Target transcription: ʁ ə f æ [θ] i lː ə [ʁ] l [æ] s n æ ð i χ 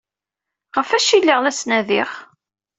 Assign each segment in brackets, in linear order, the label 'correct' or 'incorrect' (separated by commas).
incorrect, correct, correct